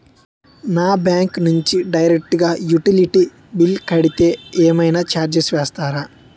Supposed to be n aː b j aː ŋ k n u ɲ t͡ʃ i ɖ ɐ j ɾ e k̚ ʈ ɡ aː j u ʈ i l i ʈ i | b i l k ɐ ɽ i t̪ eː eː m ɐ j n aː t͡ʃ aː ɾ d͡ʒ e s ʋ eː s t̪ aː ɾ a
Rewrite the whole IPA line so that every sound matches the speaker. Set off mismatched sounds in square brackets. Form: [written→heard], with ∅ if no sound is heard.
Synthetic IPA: n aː b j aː ŋ k n u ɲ t͡ʃ i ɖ ɐ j ɾ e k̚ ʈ ɡ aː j u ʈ i l i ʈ i | b i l k ɐ ɽ i t̪ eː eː m ɐ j n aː t͡ʃ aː ɾ d͡ʒ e s ʋ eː s t̪ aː ɾ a